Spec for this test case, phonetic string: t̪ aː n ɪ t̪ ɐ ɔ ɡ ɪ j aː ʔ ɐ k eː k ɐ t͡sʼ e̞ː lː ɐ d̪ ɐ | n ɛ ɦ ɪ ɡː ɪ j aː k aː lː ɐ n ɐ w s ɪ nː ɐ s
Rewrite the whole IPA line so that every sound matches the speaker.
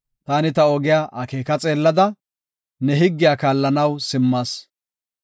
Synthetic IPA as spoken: t̪ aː n ɪ t̪ ɐ ɔ ɡ ɪ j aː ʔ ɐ k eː k ɐ t͡sʼ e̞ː lː ɐ d̪ ɐ | n ɛ ɦ ɪ ɡː ɪ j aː k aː lː ɐ n ɐ w s ɪ mː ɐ s